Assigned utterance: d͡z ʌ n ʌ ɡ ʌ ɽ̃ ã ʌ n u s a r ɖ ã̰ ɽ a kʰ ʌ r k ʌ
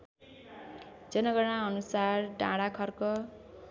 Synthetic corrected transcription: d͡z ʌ n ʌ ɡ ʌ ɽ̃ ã ʌ n u s a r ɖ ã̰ ɽ a kʰ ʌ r k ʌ